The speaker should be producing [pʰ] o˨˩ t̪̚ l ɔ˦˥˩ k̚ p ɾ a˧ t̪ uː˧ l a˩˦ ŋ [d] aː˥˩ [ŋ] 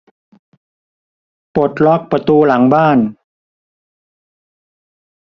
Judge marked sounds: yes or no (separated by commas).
no, no, no